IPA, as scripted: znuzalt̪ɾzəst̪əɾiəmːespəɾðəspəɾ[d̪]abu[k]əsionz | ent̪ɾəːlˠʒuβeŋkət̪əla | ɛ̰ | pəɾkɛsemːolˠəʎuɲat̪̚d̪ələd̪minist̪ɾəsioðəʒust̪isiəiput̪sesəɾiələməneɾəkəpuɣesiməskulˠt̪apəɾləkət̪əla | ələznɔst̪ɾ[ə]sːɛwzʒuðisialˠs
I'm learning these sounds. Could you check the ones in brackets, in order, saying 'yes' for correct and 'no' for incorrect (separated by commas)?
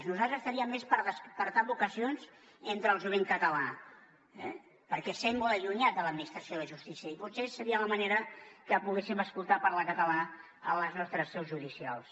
no, yes, yes